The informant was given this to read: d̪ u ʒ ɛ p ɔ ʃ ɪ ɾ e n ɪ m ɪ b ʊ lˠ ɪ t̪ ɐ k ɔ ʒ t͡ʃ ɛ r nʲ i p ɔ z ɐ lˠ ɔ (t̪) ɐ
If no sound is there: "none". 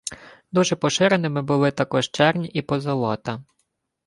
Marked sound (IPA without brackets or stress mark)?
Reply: t̪